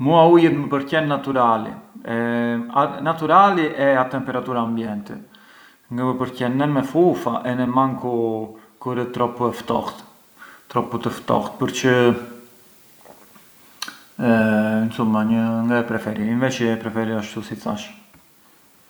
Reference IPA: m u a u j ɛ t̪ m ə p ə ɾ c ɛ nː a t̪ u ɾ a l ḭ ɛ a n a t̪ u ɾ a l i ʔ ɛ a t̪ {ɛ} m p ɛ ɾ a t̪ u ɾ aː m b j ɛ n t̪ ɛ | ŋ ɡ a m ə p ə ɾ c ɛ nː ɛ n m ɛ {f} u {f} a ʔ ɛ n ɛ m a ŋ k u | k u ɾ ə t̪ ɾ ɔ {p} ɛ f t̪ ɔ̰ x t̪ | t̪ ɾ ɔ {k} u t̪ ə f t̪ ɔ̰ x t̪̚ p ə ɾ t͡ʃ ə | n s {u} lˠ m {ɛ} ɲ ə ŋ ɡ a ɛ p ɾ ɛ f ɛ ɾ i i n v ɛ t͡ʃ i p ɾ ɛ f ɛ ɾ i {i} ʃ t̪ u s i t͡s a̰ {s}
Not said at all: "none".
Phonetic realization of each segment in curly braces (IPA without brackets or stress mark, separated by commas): ɛ, f, f, p, p, u, a, a, ʃ